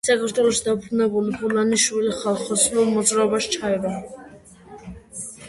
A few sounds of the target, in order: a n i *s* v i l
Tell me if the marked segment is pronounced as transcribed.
no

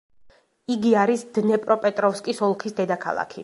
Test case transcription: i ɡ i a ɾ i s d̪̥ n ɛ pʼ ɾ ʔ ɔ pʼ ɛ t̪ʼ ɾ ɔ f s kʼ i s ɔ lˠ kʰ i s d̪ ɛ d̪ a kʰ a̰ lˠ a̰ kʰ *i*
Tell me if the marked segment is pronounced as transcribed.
yes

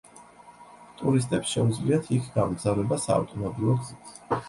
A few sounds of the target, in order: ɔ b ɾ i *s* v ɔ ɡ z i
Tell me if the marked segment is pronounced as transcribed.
no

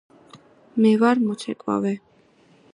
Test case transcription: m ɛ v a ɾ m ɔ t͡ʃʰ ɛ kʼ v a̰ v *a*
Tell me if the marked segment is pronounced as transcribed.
no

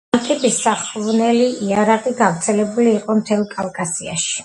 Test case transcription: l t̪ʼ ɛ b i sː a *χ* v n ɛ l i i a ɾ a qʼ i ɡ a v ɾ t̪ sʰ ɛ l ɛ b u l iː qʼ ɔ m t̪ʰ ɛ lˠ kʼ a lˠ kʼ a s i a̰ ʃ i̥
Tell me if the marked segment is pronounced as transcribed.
yes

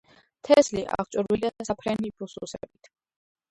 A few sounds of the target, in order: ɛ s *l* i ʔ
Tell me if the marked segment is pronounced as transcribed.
yes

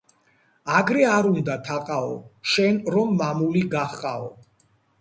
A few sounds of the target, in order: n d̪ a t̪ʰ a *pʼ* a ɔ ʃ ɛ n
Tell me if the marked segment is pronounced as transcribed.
no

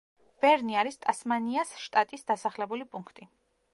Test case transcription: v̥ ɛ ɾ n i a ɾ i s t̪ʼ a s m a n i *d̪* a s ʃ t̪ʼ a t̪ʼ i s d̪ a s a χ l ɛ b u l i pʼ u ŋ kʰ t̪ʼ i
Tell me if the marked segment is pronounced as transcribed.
no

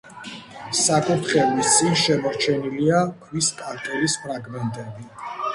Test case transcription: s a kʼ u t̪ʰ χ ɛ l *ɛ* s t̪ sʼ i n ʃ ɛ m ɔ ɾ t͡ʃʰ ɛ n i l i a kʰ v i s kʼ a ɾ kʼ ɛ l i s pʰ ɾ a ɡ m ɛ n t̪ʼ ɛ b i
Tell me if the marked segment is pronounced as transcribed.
no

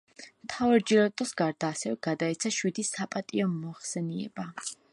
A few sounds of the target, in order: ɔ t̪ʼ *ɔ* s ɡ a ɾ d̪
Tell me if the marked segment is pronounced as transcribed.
yes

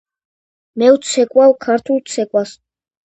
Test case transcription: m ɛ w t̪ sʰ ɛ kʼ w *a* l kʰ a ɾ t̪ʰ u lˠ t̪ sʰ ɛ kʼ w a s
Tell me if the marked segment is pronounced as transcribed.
yes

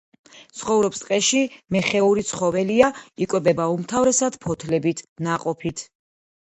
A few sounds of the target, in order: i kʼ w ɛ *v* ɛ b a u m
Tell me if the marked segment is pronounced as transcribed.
no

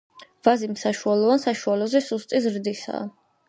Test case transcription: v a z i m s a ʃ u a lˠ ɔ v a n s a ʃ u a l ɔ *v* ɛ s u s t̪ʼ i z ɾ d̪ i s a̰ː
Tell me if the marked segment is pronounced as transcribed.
no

